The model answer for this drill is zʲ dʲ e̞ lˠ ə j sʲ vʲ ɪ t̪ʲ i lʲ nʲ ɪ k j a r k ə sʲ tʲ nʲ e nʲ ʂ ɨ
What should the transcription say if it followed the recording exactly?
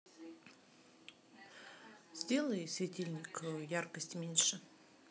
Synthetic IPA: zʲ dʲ e̞ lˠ ə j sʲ vʲ ɪ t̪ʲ i lʲ nʲ ɪ k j a r k ə sʲ tʲ mʲ e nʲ ʂ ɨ